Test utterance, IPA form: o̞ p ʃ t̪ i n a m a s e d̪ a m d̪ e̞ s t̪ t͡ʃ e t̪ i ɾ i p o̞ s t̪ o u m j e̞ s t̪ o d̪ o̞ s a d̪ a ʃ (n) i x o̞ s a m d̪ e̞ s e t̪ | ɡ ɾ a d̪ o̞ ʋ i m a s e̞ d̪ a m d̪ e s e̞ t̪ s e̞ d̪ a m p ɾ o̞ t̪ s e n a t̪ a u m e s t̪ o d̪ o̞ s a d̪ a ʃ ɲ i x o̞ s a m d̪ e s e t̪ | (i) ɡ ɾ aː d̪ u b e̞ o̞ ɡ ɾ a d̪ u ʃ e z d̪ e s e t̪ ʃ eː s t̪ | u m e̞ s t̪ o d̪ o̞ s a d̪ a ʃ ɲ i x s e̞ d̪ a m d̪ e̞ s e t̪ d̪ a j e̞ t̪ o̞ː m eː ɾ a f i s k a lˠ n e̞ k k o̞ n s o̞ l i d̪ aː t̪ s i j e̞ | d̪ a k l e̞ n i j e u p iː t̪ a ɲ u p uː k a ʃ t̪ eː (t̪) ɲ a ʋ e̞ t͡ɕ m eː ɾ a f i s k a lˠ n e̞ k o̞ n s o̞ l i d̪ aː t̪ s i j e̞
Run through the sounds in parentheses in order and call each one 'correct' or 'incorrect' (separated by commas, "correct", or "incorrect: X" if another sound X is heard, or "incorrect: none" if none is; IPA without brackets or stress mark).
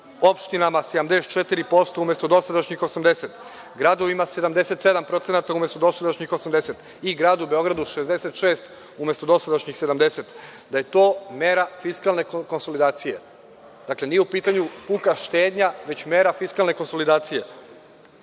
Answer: incorrect: ɲ, correct, incorrect: d̪